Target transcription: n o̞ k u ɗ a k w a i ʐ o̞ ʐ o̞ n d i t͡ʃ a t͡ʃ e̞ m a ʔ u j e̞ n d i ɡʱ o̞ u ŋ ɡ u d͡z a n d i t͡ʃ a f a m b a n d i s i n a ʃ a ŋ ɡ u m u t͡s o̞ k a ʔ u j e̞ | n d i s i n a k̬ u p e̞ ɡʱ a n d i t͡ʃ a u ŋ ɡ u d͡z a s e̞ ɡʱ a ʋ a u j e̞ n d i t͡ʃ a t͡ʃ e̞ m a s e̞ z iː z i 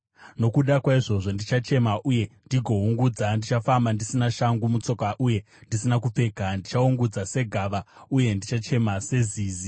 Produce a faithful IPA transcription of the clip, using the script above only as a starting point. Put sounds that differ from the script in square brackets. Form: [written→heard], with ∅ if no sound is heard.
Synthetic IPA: n o̞ k u ɗ a k w a i ʐ o̞ ʐ o̞ n d i t͡ʃ a t͡ʃ e̞ m a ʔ u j e̞ n d i ɡʱ o̞ u ŋ ɡ u d͡z a n d i t͡ʃ a f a m b a n d i s i n a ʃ a ŋ ɡ u m u t͡s o̞ k a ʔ u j e̞ | n d i s i n a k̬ u [p→p͡f] e̞ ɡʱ a n d i t͡ʃ a u ŋ ɡ u d͡z a s e̞ ɡʱ a ʋ a u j e̞ n d i t͡ʃ a t͡ʃ e̞ m a s e̞ z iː z i